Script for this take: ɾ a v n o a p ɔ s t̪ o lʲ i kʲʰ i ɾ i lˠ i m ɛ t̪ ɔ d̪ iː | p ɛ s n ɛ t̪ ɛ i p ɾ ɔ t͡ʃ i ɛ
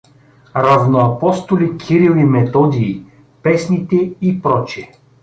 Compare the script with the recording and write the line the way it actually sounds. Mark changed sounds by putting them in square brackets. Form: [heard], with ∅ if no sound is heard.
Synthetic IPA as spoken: ɾ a v n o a p ɔ s t̪ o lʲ i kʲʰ i ɾ i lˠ i m ɛ t̪ ɔ d̪ iː | p ɛ s n [i] t̪ ɛ i p ɾ ɔ t͡ʃ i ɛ